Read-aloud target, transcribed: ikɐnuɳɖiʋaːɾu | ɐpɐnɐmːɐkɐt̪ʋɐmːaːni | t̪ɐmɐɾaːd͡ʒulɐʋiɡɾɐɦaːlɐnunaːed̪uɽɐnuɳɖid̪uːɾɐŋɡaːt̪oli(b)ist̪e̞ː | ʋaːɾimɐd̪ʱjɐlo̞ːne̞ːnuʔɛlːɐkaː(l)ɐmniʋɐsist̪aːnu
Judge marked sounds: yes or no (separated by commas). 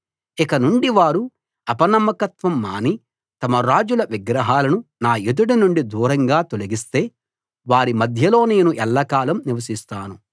no, yes